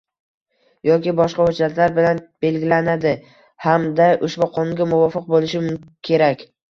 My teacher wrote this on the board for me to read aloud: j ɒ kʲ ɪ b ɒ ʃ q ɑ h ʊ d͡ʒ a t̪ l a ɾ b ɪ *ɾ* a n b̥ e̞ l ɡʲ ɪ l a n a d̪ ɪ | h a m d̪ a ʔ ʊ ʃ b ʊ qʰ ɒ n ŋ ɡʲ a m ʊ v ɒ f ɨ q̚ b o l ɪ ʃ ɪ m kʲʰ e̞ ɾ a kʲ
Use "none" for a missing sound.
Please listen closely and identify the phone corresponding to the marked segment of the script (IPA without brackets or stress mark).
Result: l